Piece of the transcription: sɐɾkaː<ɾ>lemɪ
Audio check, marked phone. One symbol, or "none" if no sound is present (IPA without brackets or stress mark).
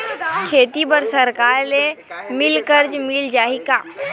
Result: ɾ